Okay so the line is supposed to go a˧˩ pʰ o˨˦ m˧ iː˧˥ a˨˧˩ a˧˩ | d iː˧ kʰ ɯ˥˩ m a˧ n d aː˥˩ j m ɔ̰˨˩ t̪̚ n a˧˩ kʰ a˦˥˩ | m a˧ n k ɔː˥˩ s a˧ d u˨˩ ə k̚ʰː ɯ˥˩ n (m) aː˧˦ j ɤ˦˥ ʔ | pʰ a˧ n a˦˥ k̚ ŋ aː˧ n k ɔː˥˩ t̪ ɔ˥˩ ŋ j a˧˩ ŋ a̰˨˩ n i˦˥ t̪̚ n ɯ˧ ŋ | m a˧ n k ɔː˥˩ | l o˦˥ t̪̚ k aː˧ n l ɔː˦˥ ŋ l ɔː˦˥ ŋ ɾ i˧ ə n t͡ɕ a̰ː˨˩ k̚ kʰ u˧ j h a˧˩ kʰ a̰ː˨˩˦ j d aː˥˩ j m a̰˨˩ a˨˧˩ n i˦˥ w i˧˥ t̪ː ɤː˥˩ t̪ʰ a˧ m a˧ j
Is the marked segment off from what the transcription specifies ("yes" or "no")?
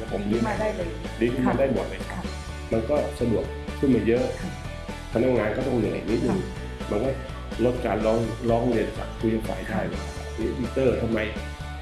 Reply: no